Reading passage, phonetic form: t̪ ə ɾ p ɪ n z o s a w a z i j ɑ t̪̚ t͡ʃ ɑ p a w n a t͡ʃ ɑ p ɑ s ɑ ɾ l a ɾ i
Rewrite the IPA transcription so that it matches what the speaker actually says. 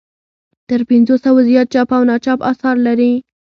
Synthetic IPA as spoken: t̪ ə ɾ p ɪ n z o s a w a z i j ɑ t̪̚ t͡ʃ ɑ p a w n ɑ t͡ʃ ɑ p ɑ s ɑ ɾ l a ɾ i

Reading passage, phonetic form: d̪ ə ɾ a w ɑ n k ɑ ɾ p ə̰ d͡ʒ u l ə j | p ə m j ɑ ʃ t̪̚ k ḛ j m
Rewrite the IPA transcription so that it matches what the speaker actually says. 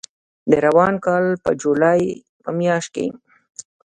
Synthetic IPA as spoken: d̪ ə ɾ a w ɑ n k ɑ l p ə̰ d͡ʒ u l ɑ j | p ə m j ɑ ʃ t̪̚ k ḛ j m

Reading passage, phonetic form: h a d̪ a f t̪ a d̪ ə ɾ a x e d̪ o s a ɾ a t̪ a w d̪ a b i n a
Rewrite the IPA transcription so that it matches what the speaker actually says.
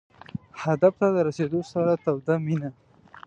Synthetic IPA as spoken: h a d̪ a f t̪ a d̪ ə ɾ a s e d̪ o s a ɾ a t̪ a w d̪ a m i n a

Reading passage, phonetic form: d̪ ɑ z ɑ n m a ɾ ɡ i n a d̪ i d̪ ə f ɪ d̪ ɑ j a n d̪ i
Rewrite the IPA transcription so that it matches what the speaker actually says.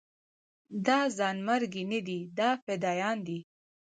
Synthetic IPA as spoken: d̪ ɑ z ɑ n m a ɾ ɡ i n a d̪ i d̪ ɑ f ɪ d̪ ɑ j ɑ n d̪ i

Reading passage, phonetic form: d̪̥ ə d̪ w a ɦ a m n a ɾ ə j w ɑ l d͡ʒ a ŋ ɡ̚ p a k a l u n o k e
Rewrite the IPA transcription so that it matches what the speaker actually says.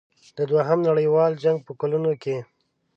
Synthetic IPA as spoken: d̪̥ ə d̪ w a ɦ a m n a ɽ ə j w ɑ l d͡ʒ a ŋ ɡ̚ p ə k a l u n o k e

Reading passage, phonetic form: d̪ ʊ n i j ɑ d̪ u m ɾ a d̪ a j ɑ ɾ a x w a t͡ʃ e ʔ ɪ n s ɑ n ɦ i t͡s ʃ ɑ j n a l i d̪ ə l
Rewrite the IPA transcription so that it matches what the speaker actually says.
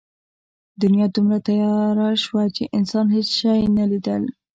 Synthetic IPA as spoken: d̪ ʊ n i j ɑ d̪ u m ɾ a t̪ a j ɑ ɾ a ʃ w a t͡ʃ e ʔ ɪ n s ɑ n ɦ e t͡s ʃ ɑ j n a l i d̪ ə l

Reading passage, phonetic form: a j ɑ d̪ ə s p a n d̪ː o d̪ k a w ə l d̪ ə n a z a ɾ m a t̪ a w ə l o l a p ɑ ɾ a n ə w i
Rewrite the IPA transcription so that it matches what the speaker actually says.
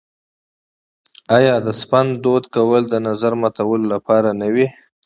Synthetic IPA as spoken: a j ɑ d̪ ə s p a n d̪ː o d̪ k a w ə l d̪ ə n a z a ɾ m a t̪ a w ə l o l a p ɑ ɾ a n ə w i

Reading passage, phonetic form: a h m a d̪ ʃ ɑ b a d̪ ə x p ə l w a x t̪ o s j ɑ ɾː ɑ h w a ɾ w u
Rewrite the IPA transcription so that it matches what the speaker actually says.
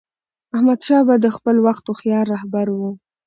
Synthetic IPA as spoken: a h m a d̪ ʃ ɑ b a d̪ ə x p ə l w a x t̪ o x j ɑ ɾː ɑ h b a ɾ w u

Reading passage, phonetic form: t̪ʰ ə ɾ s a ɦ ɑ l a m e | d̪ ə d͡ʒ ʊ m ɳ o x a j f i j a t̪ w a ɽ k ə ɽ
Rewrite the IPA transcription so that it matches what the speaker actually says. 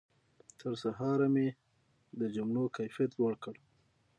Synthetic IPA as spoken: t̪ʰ ə ɾ s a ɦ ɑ ɾ a m e | d̪ ə d͡ʒ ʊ m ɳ o k a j f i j a t̪ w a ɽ k ə ɽ

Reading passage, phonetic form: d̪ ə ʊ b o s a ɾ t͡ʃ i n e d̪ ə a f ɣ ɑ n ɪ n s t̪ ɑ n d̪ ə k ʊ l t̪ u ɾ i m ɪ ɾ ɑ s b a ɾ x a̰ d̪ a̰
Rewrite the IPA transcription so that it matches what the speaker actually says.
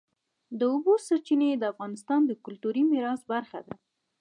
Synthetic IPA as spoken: d̪ ə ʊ b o s a ɾ t͡ʃ i n e d̪ ə a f ɣ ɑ n ɪ s t̪ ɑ n d̪ ə k ʊ l t̪ u ɾ i m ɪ ɾ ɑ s b a ɾ x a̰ d̪ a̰

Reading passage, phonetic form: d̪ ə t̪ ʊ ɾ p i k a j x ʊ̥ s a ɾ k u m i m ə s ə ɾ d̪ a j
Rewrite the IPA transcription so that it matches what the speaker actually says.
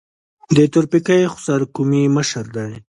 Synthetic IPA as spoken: d̪ ə t̪ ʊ ɾ p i k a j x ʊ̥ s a ɾ k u m i m ə ʃ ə ɾ d̪ a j

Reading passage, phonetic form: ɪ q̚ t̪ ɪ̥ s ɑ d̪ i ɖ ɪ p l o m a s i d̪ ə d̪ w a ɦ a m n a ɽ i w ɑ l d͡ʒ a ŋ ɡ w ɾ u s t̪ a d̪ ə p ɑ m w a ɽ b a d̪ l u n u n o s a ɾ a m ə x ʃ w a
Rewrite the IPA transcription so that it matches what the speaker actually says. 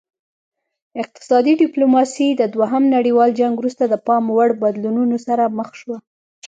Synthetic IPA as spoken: ɪ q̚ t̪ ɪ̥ s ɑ d̪ i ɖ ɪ p l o m ɑ s i d̪ ə d̪ w a ɦ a m n a ɽ i w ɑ l d͡ʒ a ŋ ɡ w ɾ u s t̪ a d̪ ə p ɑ m w a ɽ b a d̪ l u n u n o s a ɾ a m ə x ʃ w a

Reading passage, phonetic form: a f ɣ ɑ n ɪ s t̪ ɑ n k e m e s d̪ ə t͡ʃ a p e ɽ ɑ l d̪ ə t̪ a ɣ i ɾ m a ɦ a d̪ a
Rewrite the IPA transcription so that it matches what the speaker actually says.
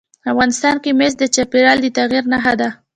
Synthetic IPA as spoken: a f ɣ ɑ n ɪ s t̪ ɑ n k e m e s d̪ ə t͡ʃ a p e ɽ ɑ l d̪ ə t̪ a ɣ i ɾ n a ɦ a d̪ a

